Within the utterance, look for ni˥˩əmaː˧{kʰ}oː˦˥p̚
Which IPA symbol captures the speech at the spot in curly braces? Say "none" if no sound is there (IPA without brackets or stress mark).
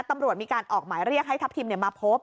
pʰ